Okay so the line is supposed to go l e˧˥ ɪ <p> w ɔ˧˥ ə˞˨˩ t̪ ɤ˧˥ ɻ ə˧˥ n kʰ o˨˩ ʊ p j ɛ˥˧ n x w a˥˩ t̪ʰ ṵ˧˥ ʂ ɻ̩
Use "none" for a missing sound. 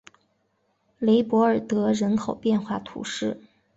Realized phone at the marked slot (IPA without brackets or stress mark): p